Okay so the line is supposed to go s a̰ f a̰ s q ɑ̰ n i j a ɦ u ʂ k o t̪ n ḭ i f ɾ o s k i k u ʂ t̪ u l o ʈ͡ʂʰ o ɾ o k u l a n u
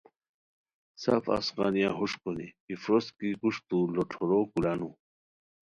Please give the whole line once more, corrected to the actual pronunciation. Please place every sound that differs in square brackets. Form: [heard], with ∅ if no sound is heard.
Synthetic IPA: s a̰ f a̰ s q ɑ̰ n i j a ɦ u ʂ k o [∅] n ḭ i f ɾ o s k i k u ʂ t̪ u l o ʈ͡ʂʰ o ɾ o k u l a n u

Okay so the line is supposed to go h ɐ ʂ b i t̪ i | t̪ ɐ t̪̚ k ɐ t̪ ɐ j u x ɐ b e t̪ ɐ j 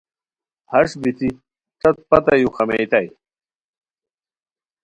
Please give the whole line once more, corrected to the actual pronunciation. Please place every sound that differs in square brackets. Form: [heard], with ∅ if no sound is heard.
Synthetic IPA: h ɐ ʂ b i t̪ i | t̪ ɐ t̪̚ [p] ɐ t̪ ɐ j u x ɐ [m] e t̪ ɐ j

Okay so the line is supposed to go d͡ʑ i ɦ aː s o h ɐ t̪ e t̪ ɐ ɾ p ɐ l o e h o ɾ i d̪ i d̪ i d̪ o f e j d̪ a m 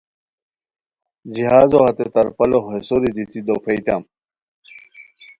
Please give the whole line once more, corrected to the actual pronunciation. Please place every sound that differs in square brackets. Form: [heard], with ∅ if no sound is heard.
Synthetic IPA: d͡ʑ i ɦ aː [z] o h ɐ t̪ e t̪ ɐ ɾ p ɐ l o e [s] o ɾ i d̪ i [t̪] i d̪ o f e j [t̪] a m

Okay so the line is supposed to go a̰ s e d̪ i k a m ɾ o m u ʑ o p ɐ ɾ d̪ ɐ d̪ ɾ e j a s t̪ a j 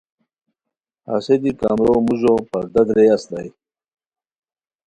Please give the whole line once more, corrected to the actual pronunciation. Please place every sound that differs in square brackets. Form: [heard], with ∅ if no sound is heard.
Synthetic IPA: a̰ s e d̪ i k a m ɾ o m u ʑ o p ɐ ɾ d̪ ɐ d̪ ɾ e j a s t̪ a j

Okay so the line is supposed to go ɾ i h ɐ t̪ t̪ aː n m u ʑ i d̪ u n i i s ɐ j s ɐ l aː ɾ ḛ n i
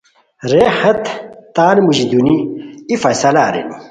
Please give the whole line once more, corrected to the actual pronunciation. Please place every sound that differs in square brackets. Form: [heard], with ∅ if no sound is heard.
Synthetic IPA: ɾ [e] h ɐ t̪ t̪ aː n m u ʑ i d̪ u n i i [f] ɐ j s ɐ l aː ɾ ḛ n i

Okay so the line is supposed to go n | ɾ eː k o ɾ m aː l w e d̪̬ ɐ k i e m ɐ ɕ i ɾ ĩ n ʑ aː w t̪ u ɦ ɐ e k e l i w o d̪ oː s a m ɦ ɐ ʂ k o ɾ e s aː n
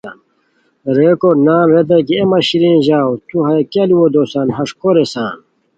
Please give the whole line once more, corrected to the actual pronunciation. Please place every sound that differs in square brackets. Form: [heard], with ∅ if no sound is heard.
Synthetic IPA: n | ɾ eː k o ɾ [n] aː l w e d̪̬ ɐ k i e m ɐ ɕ i ɾ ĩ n ʑ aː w t̪ u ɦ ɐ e k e l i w o d̪ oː s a [n] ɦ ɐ ʂ k o ɾ e s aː n

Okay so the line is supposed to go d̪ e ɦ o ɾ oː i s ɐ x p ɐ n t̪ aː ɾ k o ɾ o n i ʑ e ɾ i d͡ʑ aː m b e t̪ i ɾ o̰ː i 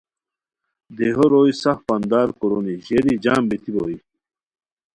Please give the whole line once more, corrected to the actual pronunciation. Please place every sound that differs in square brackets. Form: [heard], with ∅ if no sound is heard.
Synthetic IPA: d̪ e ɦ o ɾ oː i s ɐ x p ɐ n [d̪] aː ɾ k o ɾ o n i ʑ e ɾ i d͡ʑ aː m b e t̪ i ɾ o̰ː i

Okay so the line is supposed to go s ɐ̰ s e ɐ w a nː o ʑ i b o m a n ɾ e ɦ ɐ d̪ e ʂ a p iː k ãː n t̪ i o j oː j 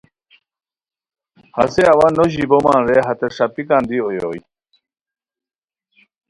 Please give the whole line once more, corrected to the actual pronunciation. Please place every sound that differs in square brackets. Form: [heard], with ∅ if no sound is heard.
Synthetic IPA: [h] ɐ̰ s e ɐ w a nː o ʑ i b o m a n ɾ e ɦ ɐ [t̪] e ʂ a p [i] k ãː n [d̪] i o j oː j

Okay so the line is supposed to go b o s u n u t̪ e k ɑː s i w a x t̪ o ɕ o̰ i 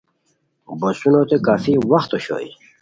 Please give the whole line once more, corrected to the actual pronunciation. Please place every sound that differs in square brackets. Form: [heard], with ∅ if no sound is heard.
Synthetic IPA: b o s u n [o] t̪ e k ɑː [f] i w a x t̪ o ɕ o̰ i

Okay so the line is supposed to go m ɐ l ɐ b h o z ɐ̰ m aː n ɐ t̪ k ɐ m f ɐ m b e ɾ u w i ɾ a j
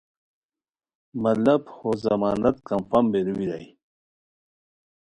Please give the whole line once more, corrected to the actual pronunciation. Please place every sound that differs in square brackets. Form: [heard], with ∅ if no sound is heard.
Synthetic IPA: m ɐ l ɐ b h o z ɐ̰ m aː n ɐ t̪ k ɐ m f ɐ m b e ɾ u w i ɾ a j

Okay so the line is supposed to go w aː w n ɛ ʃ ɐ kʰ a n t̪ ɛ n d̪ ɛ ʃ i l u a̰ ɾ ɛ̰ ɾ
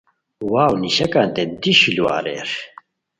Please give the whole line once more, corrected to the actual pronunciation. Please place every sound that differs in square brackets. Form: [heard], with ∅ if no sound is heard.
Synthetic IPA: w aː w n [i] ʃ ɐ [k] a n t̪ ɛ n d̪ [i] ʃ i l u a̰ ɾ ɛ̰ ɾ

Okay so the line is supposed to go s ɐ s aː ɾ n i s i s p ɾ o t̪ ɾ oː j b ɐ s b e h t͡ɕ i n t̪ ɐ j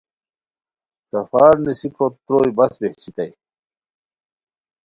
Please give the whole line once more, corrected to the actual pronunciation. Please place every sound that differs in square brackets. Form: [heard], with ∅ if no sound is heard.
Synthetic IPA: s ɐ [f] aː ɾ n i s i [∅] p ɾ o t̪ ɾ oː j b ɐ s b e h t͡ɕ i [∅] t̪ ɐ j

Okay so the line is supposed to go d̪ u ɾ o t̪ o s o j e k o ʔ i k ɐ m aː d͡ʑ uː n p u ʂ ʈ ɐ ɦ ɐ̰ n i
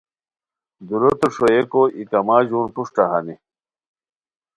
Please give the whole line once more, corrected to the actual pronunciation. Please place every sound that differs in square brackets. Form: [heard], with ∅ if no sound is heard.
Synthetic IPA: d̪ u ɾ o t̪ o [ʂ] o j e k o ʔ i k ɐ m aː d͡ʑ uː n p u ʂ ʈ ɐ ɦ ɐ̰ n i

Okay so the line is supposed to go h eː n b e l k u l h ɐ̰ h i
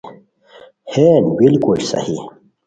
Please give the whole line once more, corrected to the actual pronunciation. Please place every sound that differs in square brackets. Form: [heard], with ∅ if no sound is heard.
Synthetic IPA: h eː n b [i] l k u l [s] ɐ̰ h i

